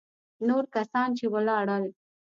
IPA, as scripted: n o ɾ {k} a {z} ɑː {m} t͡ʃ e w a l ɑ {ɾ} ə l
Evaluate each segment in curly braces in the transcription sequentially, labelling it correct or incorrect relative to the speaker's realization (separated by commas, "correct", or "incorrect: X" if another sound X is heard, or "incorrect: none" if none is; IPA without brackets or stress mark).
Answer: correct, incorrect: s, incorrect: n, incorrect: ɽ